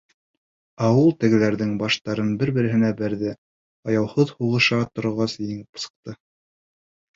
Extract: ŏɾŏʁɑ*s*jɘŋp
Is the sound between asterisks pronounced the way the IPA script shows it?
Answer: yes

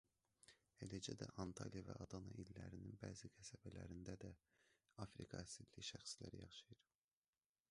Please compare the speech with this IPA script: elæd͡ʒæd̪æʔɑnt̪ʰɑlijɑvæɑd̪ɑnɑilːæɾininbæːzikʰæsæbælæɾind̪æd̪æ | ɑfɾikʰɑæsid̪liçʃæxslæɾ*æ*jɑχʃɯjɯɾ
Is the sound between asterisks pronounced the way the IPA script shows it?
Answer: no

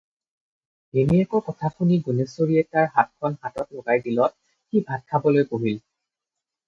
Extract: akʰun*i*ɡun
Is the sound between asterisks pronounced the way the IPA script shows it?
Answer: yes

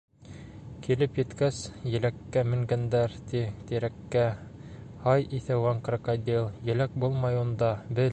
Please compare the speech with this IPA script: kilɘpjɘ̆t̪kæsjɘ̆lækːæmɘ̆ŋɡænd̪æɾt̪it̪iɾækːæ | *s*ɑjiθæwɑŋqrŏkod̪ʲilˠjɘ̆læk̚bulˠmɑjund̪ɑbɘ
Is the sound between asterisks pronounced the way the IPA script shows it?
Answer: no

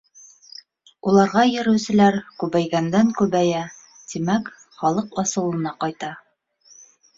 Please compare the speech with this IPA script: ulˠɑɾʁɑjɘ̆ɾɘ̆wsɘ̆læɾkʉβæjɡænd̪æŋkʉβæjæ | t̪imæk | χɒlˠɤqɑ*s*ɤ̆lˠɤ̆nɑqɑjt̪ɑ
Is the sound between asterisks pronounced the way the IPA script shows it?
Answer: yes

